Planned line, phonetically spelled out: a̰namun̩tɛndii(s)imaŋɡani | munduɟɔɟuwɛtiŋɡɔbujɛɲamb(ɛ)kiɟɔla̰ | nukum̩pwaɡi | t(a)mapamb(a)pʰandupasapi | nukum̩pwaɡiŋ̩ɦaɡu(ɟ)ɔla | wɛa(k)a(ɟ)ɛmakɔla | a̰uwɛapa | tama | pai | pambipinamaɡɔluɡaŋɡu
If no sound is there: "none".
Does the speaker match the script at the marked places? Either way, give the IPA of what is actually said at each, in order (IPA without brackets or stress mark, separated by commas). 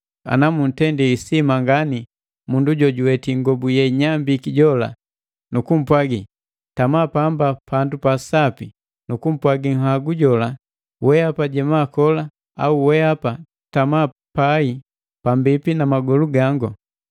s, i, a, a, ɟ, p, ɟ